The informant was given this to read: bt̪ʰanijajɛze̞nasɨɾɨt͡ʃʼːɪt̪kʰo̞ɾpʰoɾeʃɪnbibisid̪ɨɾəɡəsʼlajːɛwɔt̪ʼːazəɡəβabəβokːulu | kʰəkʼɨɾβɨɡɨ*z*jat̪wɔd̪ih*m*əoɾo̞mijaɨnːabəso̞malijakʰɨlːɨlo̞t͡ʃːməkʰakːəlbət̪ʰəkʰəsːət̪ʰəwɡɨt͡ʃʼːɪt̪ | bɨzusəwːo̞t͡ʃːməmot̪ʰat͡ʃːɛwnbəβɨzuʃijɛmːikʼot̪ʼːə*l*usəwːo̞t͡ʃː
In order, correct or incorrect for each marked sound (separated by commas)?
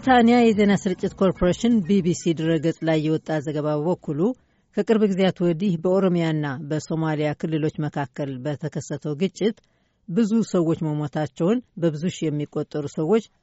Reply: correct, incorrect, incorrect